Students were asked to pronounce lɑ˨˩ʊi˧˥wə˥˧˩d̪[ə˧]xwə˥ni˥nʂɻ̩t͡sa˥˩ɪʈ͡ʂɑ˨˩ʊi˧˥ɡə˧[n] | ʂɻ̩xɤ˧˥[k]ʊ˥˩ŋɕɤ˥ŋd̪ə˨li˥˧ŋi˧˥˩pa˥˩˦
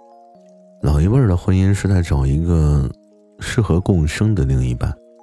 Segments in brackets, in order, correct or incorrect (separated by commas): incorrect, incorrect, correct